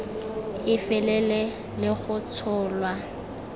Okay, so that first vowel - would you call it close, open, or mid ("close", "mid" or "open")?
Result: close